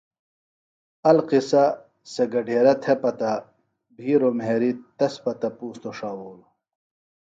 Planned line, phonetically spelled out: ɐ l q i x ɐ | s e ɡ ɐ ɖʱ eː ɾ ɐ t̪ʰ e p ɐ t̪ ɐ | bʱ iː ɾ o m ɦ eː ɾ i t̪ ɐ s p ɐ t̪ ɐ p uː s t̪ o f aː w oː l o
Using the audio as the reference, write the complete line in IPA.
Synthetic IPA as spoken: ɐ l q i s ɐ | s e ɡ ɐ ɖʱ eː ɾ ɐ t̪ʰ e p ɐ t̪ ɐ | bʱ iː ɾ o m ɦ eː ɾ i t̪ ɐ s p ɐ t̪ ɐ p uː s t̪ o ʂ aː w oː l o